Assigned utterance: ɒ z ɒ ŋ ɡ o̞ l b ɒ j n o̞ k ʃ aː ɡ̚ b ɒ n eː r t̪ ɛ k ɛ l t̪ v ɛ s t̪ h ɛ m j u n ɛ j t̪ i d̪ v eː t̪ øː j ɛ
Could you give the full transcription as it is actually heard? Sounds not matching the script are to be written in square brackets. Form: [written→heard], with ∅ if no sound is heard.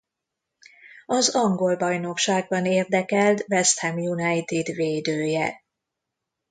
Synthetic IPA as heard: ɒ z ɒ ŋ ɡ o̞ l b ɒ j n o̞ k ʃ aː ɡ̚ b ɒ n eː r [t̪→d̪] ɛ k ɛ l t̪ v ɛ s t̪ h ɛ m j u n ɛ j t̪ i d̪ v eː [t̪→d̪] øː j ɛ

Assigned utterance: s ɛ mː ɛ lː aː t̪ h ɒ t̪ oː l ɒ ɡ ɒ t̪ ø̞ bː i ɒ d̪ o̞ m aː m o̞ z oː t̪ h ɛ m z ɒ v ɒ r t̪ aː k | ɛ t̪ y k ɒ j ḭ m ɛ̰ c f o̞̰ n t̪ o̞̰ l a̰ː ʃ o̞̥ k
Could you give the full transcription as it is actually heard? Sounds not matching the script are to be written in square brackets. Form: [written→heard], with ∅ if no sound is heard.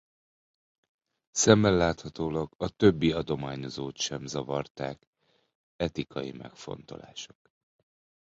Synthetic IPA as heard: s ɛ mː ɛ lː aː t̪ h ɒ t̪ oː l ɒ ɡ ɒ t̪ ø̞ bː i ɒ d̪ o̞ m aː [m→ɲ] o̞ z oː t̪ [h→ʃ] ɛ m z ɒ v ɒ r t̪ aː k | ɛ t̪ [y→i] k ɒ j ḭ m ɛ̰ [c→k] f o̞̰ n t̪ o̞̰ l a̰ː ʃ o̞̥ k

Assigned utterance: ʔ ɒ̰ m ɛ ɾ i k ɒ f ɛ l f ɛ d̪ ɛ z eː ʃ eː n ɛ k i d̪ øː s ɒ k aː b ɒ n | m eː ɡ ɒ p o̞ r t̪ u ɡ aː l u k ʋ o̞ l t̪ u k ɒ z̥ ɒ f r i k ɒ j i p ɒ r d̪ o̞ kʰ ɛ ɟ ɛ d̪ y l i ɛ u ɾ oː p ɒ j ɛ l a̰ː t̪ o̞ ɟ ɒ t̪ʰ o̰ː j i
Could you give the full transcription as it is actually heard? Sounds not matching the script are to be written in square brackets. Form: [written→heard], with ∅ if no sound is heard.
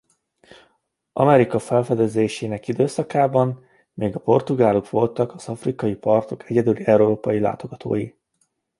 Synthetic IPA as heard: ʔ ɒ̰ m ɛ ɾ i k ɒ f ɛ l f ɛ d̪ ɛ z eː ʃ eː n ɛ k i d̪ øː s ɒ k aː b ɒ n | m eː ɡ ɒ p o̞ r t̪ u ɡ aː l u k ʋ o̞ l t̪ [u→ɒ] k ɒ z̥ ɒ f r i k ɒ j i p ɒ r [d̪→t̪] o̞ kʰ ɛ ɟ ɛ d̪ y l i ɛ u ɾ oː p ɒ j [ɛ→i] l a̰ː t̪ o̞ [ɟ→ɡ] ɒ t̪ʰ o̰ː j i

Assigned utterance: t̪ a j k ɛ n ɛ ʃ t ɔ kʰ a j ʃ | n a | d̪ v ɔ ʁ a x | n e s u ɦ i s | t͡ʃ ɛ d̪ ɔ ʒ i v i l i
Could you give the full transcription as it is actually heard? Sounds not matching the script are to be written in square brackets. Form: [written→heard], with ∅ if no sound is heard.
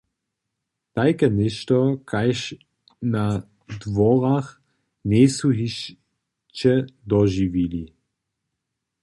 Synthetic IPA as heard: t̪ a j k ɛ n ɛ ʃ t ɔ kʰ a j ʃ | n a | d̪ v ɔ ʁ a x | n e s u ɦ i [s→ʃ] | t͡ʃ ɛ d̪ ɔ ʒ i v i l i

